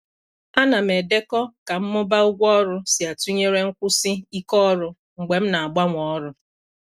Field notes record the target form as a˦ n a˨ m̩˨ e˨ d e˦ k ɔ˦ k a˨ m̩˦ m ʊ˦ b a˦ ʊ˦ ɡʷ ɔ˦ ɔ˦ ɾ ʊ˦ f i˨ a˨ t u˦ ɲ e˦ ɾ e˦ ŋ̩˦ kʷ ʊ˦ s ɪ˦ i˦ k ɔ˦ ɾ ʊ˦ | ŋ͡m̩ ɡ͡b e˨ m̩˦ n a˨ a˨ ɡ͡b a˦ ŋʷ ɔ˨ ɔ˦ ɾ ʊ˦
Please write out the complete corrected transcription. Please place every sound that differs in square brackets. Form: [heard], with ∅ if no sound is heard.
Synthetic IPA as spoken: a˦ n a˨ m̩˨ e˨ d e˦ k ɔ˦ k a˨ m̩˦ m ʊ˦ b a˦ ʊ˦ ɡʷ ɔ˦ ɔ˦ ɾ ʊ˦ [s] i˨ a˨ t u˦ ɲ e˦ ɾ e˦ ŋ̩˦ kʷ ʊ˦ s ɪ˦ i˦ k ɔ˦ ɾ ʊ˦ | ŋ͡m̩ ɡ͡b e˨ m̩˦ n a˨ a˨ ɡ͡b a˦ ŋʷ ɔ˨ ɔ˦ ɾ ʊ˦